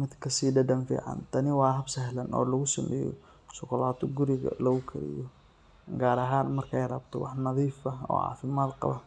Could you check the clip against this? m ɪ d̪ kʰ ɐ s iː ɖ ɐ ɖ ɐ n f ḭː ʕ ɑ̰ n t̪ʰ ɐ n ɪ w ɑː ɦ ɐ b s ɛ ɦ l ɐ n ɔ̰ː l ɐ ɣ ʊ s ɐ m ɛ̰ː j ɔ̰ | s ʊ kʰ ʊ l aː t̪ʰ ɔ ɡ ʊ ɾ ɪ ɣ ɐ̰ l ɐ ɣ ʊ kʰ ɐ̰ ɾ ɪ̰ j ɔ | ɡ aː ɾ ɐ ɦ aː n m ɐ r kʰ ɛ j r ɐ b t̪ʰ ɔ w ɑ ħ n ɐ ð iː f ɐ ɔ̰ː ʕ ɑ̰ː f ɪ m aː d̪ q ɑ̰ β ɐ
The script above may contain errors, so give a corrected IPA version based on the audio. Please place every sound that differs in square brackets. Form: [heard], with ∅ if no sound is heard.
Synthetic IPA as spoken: m ɪ d̪ kʰ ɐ s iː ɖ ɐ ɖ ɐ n f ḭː ʕ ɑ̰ n t̪ʰ ɐ n ɪ w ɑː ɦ ɐ b s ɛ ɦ l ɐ n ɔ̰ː l ɐ ɣ ʊ s ɐ m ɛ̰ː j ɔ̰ | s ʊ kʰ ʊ l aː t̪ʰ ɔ ɡ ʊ ɾ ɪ ɣ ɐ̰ l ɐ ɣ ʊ kʰ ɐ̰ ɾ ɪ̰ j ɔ | ɡ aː ɾ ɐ ɦ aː n m ɐ r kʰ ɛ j r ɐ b t̪ʰ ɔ w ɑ ħ n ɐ ð iː f ɐ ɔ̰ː ʕ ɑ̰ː f ɪ m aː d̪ q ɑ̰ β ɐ